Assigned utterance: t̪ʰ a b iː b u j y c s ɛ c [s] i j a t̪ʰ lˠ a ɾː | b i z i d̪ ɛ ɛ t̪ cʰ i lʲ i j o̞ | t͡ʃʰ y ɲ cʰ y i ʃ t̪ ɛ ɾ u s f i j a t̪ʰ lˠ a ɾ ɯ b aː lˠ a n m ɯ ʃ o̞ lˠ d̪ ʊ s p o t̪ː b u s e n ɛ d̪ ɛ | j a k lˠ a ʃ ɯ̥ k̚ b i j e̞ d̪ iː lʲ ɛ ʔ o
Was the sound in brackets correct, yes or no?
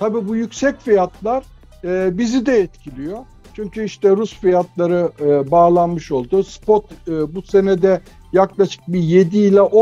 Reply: no